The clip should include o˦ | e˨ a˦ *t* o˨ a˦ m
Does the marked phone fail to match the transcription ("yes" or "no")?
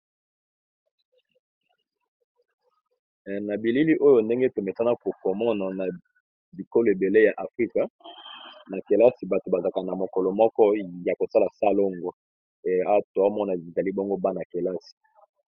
no